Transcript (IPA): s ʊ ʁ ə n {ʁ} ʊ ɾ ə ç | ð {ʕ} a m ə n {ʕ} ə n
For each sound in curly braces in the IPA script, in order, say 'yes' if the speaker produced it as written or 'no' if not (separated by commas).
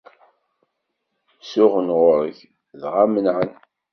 yes, no, yes